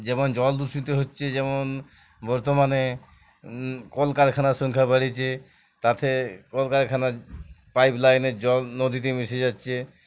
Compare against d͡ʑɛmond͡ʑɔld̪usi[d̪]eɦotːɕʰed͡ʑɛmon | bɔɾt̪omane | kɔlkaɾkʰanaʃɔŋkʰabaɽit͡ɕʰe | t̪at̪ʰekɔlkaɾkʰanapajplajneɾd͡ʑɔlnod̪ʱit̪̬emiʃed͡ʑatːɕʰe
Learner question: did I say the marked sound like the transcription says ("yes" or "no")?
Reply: no